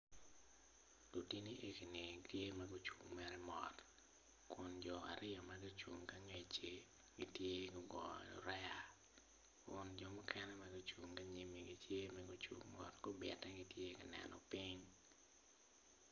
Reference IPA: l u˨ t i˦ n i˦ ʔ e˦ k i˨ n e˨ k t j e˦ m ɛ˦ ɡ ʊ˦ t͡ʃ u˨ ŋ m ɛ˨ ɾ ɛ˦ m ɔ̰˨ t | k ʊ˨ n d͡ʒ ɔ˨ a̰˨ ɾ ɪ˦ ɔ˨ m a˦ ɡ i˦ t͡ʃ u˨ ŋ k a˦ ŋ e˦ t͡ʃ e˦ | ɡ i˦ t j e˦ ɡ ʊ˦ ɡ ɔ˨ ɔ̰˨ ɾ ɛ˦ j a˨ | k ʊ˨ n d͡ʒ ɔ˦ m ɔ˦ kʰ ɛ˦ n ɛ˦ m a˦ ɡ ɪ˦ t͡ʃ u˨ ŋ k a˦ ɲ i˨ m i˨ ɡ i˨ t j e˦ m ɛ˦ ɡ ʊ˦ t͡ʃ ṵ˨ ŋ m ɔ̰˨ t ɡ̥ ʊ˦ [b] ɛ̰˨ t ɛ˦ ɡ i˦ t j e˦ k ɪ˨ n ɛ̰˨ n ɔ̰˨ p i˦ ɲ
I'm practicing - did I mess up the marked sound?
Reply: no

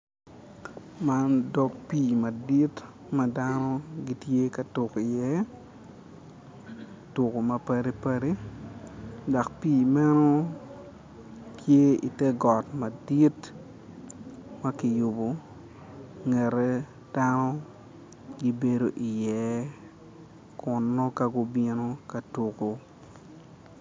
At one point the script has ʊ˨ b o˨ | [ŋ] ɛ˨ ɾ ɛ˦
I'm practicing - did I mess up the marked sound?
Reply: no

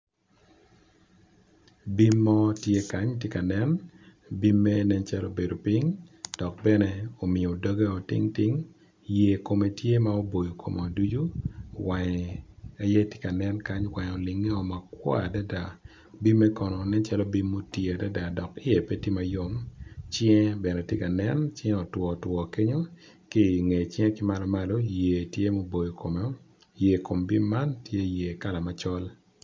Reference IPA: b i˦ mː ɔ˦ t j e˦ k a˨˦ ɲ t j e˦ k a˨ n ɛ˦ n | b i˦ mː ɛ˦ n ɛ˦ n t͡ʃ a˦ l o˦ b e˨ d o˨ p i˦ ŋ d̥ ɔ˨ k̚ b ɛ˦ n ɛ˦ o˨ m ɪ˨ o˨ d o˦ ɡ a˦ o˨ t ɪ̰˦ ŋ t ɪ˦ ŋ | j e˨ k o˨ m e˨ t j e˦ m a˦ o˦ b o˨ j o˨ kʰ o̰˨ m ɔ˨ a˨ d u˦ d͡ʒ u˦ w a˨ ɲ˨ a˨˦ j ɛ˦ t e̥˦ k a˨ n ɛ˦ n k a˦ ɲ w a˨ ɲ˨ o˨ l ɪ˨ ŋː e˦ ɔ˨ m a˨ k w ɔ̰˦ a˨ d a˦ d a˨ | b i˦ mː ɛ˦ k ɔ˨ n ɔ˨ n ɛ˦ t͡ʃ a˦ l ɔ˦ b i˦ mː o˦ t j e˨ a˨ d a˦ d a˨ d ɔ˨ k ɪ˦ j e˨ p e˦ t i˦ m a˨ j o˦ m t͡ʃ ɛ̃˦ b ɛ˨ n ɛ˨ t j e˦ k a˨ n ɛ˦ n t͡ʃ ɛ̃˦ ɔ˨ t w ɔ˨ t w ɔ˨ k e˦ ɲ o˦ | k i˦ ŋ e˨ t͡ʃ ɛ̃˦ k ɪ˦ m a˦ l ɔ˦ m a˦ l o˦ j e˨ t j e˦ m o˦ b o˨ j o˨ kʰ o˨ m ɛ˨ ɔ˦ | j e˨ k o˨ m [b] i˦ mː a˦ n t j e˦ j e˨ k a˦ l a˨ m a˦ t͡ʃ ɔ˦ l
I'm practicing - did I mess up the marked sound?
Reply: no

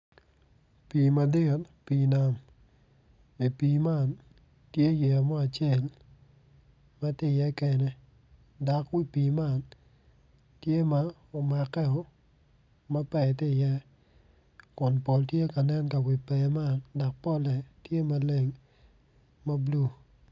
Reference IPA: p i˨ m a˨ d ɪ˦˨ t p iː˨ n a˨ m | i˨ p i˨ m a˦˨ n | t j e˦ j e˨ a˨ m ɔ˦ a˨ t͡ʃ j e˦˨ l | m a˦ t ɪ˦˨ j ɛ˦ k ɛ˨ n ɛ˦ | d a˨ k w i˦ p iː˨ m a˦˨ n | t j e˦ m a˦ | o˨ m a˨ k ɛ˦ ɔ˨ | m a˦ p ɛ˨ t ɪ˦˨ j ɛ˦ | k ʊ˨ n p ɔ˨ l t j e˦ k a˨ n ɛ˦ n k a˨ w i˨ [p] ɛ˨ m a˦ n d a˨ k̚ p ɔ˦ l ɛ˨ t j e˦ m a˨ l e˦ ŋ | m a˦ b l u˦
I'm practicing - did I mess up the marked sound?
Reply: no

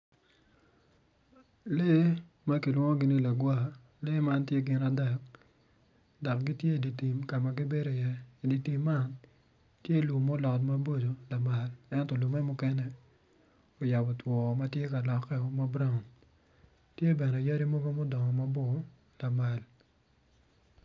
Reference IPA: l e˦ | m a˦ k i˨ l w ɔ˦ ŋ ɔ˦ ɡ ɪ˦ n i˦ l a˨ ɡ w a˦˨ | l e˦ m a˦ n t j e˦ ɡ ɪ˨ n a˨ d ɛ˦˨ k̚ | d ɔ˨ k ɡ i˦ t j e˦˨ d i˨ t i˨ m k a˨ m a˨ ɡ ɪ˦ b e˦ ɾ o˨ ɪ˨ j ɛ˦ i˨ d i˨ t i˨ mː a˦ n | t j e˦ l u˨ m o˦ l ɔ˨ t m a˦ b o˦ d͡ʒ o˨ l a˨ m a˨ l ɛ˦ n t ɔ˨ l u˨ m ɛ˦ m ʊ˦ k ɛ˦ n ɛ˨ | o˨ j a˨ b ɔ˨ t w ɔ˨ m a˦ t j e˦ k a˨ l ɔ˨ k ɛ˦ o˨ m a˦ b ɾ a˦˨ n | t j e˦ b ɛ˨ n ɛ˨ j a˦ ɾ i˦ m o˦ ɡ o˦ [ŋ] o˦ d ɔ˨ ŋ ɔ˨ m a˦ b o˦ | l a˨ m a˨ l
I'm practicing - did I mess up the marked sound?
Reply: yes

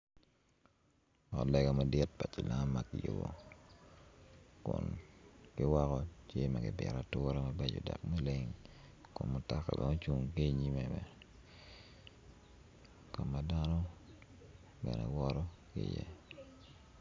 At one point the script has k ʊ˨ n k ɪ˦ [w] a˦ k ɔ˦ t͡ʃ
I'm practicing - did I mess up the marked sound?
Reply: no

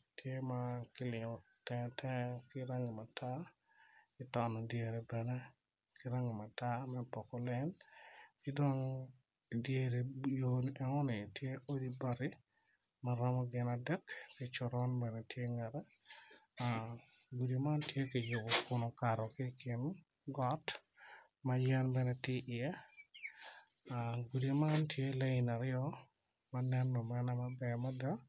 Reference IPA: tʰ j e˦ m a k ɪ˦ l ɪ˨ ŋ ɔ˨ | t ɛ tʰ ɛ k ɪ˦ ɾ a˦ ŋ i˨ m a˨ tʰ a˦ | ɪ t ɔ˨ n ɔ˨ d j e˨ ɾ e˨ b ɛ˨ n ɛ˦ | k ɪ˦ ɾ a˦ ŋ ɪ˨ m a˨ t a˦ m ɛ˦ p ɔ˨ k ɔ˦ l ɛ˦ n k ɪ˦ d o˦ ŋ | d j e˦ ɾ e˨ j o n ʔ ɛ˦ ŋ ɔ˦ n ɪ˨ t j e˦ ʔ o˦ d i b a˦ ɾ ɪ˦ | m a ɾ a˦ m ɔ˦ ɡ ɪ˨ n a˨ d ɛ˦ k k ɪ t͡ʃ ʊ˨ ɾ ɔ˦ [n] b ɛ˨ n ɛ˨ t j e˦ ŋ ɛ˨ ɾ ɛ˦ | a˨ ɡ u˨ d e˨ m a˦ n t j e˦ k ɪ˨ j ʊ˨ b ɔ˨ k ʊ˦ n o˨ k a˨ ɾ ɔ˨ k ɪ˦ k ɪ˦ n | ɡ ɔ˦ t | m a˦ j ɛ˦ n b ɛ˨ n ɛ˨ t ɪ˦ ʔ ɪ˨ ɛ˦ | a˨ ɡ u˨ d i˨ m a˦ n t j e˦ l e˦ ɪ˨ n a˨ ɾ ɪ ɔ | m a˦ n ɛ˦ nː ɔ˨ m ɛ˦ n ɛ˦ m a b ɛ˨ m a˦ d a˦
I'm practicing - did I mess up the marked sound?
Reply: no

